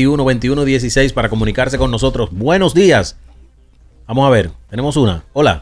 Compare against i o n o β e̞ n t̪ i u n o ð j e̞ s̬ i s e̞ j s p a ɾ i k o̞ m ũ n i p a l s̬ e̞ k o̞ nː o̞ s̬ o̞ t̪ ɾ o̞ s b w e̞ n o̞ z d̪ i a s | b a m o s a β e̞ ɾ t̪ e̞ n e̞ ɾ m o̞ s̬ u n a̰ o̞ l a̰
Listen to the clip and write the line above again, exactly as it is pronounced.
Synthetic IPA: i u n o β e̞ n t̪ i u n o ð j e̞ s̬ i s e̞ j s p a ɾ a k o̞ m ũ n i k a ɾ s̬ e̞ k o̞ nː o̞ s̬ o̞ t̪ ɾ o̞ s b w e̞ n o̞ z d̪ i a s | b a m o s a β e̞ ɾ t̪ e̞ n e̞ m o̞ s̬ u n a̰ o̞ l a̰